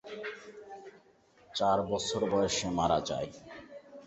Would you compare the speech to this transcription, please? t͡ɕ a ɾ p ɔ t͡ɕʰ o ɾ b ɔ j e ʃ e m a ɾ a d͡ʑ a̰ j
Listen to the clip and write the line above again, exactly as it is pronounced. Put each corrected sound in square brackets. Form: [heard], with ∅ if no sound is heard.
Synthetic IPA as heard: t͡ɕ a ɾ [b] ɔ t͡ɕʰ o ɾ b ɔ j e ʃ e m a ɾ a d͡ʑ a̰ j